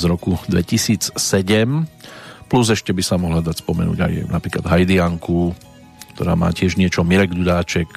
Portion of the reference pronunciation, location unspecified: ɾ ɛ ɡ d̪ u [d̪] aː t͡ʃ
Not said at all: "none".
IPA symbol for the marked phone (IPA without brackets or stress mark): d̪